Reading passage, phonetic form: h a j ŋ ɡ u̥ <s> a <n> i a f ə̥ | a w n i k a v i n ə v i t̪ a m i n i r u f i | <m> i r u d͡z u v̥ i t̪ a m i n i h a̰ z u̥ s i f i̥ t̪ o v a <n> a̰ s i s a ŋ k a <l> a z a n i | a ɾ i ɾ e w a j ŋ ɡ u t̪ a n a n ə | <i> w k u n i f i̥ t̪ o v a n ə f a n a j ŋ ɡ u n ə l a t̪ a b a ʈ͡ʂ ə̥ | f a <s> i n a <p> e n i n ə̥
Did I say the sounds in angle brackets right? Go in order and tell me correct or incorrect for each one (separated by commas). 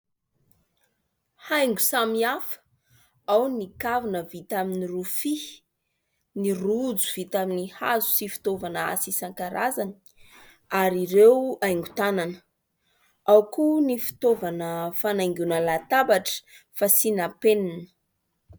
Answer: correct, incorrect, incorrect, correct, incorrect, incorrect, correct, correct